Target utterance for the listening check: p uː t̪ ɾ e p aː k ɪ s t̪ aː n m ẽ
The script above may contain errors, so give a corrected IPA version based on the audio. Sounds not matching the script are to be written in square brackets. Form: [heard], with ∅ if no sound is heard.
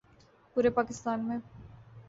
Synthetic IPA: p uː [∅] ɾ e p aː k ɪ s t̪ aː n m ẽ